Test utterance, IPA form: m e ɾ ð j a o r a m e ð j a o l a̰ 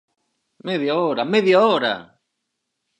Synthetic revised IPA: m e ð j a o ɾ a m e ð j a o ɾ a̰

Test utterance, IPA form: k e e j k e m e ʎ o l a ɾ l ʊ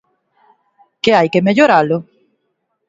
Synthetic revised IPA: k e a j k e m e ʎ o ɾ a l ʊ

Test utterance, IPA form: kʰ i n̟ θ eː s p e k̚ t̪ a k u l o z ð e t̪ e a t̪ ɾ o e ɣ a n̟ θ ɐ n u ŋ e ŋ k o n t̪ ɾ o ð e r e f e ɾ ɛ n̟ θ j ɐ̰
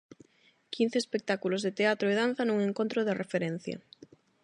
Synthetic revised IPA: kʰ i n̟ θ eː s p e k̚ t̪ a k u l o z ð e t̪ e a t̪ ɾ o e ð a n̟ θ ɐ n u ŋ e ŋ k o n t̪ ɾ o ð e r e f e ɾ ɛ n̟ θ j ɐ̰

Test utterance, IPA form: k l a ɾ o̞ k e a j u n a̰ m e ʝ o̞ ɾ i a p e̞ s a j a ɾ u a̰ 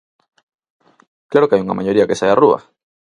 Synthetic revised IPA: k l a ɾ o̞ k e a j u ŋ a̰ m a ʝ o̞ ɾ i a k e̞ s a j a r u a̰

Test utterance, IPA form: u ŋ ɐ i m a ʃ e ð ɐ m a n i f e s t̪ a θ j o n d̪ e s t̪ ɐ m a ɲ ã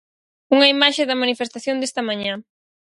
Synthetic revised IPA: u ŋ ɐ i m a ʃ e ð ɐ m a n i f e s t̪ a θ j o n d̪ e s t̪ ɐ m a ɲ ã

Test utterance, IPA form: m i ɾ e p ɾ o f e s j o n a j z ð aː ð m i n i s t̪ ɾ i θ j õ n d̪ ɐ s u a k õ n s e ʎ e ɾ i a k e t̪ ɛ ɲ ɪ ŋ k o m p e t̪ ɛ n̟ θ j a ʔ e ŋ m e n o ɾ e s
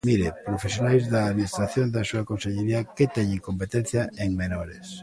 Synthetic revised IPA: m i ɾ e p ɾ o f e s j o n a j z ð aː ð m i n i s t̪ ɾ a θ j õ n d̪ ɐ s u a k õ n s e ʎ e ɾ i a k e t̪ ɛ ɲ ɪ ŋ k o m p e t̪ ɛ n̟ θ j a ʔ e ŋ m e n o ɾ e s

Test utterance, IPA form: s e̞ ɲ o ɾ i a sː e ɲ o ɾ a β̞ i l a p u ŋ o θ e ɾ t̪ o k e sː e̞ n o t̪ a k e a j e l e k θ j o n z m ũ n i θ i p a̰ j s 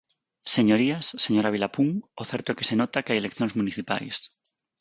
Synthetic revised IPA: s e̞ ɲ o ɾ i a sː e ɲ o ɾ a β̞ i l a p u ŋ o θ e ɾ t̪ o k e s e̞ n o t̪ a k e a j e l e k θ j o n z m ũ n i θ i p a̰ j s

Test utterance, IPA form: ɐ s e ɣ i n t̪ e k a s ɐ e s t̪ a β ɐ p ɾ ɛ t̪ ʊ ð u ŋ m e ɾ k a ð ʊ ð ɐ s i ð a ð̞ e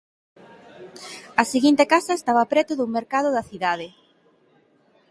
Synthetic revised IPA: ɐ s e ɣ i n t̪ e k a s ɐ e s t̪ a β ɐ p ɾ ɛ t̪ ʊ ð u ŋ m e ɾ k a ð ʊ ð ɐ θ i ð a ð̞ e

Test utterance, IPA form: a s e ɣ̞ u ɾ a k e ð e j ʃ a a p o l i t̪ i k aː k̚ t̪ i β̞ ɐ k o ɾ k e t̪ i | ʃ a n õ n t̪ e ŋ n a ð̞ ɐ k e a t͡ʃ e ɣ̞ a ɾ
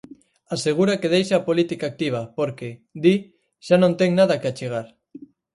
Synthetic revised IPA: a s e ɣ̞ u ɾ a k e ð e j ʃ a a p o l i t̪ i k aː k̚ t̪ i β̞ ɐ p o ɾ k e d̪ i | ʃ a n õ n t̪ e ŋ n a ð̞ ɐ k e a t͡ʃ e ɣ̞ a ɾ

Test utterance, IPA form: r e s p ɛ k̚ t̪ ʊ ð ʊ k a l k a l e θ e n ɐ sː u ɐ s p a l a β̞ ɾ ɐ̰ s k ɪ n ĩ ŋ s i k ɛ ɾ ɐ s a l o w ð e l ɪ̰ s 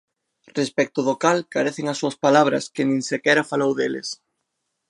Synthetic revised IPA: r e s p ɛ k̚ t̪ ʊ ð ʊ k a l k a ɾ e θ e ŋ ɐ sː u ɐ s p a l a β̞ ɾ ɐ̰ s k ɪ n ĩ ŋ s e k ɛ ɾ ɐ f a l o w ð e l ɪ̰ s

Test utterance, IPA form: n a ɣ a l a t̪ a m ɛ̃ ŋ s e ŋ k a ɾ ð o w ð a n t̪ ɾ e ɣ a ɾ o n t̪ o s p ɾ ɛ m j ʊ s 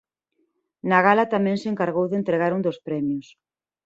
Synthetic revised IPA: n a ɣ a l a t̪ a m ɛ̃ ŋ s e ŋ k a ɾ ɣ o w ð e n t̪ ɾ e ɣ a ɾ u n d̪ o s p ɾ ɛ m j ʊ s

